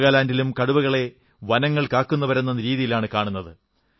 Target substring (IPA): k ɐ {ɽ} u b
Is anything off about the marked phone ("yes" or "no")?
no